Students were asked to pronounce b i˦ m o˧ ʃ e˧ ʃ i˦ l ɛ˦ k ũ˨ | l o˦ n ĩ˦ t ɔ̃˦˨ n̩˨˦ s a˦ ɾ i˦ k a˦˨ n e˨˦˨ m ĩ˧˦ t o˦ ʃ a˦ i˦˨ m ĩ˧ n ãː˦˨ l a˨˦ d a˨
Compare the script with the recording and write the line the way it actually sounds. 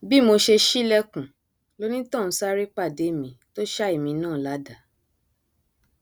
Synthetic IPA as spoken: b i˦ m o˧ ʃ e˧ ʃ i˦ l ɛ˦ k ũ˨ | l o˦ n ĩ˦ t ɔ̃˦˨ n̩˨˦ s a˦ ɾ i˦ k͡p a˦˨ d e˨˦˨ m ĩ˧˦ t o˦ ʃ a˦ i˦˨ m ĩ˧ n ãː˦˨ l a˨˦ d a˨